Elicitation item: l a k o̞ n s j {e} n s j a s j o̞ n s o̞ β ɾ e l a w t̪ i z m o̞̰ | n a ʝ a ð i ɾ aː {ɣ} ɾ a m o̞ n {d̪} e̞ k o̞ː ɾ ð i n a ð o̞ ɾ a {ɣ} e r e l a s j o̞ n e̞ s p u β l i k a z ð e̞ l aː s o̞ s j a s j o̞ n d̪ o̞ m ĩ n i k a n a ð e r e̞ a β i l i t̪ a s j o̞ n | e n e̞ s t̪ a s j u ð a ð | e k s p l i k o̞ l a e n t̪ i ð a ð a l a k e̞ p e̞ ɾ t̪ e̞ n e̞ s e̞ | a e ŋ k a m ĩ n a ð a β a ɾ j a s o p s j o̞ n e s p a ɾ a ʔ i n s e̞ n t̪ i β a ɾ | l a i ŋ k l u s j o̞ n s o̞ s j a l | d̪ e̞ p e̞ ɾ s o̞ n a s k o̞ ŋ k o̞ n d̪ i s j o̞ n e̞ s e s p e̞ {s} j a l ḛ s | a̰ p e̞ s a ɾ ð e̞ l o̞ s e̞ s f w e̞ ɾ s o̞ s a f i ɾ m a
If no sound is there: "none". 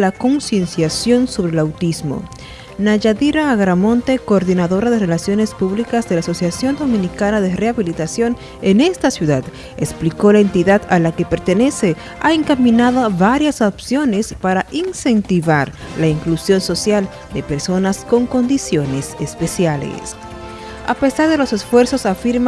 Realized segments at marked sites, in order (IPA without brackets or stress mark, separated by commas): e, ɣ, t̪, ð, s